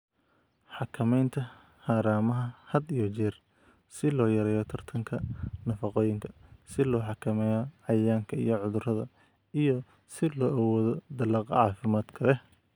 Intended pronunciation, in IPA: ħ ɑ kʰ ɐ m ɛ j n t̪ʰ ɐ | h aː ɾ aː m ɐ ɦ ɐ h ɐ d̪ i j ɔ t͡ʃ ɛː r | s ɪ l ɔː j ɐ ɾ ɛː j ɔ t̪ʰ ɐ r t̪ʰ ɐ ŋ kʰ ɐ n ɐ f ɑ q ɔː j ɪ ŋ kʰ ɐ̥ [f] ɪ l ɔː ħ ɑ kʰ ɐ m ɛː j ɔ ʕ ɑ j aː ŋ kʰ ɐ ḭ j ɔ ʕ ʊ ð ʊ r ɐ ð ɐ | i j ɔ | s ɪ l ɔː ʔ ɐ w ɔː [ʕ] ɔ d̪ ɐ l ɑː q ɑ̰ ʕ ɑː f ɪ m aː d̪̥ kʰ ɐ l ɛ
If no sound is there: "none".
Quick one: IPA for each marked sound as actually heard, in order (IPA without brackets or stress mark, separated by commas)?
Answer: s, ð